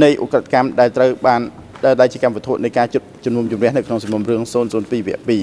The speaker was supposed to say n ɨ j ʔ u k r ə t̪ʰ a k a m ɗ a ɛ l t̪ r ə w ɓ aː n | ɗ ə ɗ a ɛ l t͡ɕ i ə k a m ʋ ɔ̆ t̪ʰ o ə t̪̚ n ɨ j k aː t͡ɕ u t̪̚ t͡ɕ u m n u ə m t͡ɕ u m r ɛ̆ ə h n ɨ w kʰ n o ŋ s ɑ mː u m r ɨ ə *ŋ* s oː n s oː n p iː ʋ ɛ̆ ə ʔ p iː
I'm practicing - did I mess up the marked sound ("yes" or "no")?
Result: no